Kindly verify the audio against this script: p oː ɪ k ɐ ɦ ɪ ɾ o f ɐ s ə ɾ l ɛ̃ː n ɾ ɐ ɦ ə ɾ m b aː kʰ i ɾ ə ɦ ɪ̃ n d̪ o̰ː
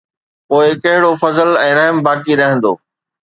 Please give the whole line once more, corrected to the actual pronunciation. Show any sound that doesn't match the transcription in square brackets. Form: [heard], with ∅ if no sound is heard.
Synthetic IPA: p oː ɪ k ɐ ɦ ɪ [ɽ] o f ɐ [z] ə [∅] l ɛ̃ː [∅] ɾ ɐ ɦ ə [∅] m b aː [k] i ɾ [ɐ] ɦ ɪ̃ n d̪ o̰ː